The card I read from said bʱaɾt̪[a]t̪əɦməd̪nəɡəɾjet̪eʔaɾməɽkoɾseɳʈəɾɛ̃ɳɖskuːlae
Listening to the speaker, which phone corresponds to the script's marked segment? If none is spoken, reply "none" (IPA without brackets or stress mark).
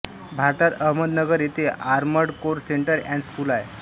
a